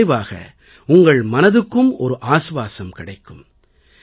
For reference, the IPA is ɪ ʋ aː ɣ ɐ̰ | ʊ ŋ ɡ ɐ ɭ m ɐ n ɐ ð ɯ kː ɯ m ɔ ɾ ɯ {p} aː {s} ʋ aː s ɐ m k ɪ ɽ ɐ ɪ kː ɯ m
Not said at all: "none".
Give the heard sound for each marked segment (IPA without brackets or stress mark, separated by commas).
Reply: ʔ, s